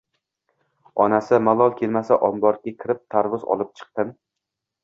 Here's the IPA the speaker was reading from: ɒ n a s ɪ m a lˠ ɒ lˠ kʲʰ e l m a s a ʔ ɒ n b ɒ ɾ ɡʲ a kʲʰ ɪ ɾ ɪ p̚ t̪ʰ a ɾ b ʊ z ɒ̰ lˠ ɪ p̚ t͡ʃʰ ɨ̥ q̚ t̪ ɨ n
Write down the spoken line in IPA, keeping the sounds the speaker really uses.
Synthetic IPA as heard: ɒ n a s ɪ m a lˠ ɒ lˠ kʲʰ e l m a s a ʔ ɒ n b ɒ ɾ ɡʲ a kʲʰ ɪ ɾ ɪ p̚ t̪ʰ a ɾ v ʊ z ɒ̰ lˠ ɪ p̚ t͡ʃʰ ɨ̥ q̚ t̪ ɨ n